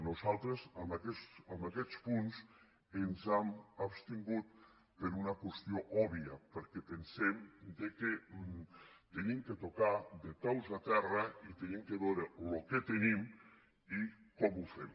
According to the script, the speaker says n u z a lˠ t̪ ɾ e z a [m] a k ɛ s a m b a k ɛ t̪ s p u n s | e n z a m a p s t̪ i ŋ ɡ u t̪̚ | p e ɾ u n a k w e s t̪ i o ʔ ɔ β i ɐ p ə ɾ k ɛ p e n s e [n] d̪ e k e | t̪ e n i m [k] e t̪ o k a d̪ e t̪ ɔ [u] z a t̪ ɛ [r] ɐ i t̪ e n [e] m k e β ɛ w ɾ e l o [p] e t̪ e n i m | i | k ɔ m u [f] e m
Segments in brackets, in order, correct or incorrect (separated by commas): correct, incorrect, correct, incorrect, correct, incorrect, incorrect, correct